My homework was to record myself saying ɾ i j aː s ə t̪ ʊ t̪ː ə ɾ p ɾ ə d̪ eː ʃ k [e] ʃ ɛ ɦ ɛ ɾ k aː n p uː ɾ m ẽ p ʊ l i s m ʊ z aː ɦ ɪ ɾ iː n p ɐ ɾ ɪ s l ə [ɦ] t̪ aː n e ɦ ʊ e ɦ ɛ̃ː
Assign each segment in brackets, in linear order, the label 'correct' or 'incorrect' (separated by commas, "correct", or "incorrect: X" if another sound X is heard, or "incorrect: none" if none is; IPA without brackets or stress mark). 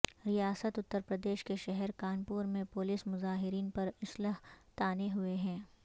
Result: correct, correct